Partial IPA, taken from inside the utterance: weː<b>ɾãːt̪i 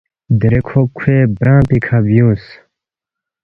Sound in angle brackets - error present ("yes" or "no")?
no